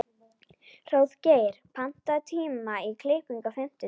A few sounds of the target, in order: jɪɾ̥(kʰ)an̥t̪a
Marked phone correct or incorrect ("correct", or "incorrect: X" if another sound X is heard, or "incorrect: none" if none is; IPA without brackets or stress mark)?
incorrect: pʰ